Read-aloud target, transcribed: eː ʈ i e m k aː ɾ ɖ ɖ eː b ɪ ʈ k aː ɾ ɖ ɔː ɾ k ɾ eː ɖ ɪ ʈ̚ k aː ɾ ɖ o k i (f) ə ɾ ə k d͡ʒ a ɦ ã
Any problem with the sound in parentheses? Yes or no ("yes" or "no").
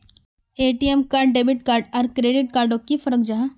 no